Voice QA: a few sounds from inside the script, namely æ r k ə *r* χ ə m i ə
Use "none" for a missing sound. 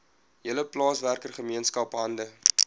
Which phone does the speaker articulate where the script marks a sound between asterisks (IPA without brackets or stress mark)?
r